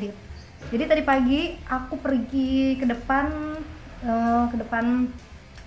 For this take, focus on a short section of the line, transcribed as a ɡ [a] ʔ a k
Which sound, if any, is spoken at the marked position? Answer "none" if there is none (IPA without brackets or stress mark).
i